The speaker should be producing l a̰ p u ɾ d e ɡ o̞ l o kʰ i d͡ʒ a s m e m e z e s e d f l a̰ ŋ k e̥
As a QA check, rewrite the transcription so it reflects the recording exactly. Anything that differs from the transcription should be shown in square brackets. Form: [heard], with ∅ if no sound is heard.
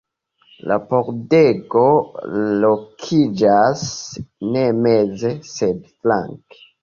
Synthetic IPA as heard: l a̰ p [o] ɾ d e ɡ o̞ l o kʰ i d͡ʒ a s [n] e m e z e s e d f l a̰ ŋ k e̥